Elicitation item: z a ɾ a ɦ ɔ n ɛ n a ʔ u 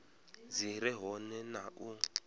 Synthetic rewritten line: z i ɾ ɛ ɦ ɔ n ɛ n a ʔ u